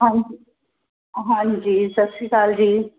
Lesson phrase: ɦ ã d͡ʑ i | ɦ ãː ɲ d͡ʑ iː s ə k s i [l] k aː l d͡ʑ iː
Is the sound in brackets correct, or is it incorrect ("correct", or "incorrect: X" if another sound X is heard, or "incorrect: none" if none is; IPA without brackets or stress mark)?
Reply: incorrect: none